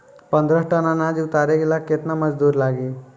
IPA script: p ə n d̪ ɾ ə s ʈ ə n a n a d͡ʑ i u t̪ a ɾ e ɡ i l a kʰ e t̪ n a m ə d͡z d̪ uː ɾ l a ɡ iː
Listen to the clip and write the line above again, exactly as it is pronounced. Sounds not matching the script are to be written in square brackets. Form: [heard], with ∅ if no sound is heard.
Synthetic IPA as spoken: p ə n d̪ ɾ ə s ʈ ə n a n a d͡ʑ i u t̪ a ɾ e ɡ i l a [k] e t̪ n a m ə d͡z d̪ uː ɾ l a ɡ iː

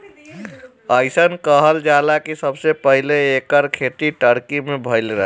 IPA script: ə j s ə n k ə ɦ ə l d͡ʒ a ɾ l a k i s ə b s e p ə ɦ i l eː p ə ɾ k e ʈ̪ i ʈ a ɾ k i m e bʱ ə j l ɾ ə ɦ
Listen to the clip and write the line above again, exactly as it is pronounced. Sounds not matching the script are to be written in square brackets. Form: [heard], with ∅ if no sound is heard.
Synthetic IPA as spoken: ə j s ə n k ə ɦ ə l d͡ʒ a [∅] l a k i s ə b s e p ə ɦ i l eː [k] ə ɾ [kʰ] e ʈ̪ i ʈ [ə] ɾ k i m e bʱ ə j l ɾ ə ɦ

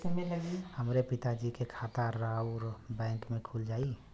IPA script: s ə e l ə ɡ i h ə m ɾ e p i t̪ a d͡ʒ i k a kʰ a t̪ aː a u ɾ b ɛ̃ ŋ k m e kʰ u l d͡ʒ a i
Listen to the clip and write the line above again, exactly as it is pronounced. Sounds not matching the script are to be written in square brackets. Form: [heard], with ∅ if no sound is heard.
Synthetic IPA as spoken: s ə e l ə ɡ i h ə m ɾ e p i t̪ a d͡ʒ i k [e] kʰ a t̪ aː a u ɾ b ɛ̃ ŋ k m e kʰ u l d͡ʒ a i

